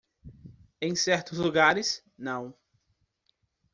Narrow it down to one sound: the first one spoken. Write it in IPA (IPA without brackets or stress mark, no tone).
ẽ